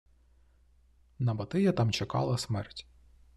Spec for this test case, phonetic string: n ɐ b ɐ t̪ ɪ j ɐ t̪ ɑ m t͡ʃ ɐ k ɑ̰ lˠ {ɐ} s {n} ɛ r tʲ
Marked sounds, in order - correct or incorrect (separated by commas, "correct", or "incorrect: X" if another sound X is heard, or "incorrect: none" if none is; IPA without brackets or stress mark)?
correct, incorrect: m